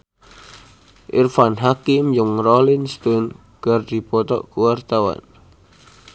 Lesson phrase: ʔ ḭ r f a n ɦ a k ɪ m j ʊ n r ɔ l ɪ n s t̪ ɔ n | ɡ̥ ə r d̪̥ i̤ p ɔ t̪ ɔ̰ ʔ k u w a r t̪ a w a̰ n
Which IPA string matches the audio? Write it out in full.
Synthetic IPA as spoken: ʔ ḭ r f a n ɦ a k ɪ m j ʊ ŋ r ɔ l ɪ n s t̪ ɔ n | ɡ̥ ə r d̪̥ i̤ p ɔ t̪ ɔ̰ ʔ k u w a r t̪ a w a̰ n